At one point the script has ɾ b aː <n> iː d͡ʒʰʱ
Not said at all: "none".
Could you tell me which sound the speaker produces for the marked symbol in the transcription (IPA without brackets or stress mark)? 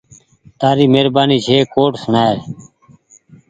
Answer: n